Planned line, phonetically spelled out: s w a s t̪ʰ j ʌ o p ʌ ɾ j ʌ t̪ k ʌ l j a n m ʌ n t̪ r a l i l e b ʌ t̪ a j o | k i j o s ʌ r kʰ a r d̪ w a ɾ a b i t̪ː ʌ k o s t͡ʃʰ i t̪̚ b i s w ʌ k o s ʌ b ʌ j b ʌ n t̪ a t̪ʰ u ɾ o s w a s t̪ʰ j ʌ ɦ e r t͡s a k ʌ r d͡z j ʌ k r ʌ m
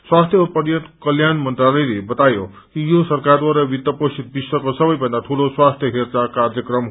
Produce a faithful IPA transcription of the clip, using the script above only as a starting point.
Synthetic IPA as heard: s w a s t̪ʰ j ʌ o p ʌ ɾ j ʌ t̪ k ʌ l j a n m ʌ n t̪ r a l i l e b ʌ t̪ a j o | k i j o s ʌ r k a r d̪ w a ɾ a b i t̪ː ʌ p o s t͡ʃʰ i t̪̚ b i s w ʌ k o s ʌ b ʌ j b ʌ n d̪ a t̪ʰ u l o s w a s t̪ʰ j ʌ ɦ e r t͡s a k a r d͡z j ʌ k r ʌ m